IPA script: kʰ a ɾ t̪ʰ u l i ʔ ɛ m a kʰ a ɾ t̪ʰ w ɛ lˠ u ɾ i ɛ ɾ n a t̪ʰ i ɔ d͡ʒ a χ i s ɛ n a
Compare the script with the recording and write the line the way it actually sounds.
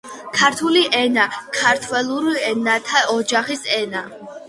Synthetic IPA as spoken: kʰ a ɾ t̪ʰ u l i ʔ ɛ n a kʰ a ɾ t̪ʰ w ɛ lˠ u ɾ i ɛ n a t̪ʰ a ɔ d͡ʒ a χ i s ɛ n a